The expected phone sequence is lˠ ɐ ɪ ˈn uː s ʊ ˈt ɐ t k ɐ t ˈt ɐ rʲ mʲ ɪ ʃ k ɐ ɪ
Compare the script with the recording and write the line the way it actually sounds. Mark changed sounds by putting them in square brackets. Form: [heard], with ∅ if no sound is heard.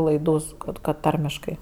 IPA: lˠ ɐ ɪ [ˈd] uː s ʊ [ˈk] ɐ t k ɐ t ˈt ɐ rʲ mʲ ɪ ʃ k ɐ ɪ